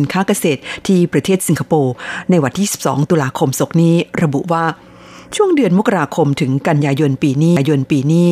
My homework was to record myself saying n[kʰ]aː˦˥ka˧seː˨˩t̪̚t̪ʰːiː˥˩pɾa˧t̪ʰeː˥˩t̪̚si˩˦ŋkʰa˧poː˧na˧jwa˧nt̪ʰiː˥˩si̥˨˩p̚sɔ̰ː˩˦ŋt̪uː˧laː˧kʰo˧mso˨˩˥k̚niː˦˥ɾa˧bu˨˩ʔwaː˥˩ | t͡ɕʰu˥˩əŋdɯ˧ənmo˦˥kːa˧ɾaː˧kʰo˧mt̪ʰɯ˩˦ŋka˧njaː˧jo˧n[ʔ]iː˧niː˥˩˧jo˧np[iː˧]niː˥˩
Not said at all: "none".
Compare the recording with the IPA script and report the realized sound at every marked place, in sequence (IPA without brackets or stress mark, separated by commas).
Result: kʰ, p, iː˧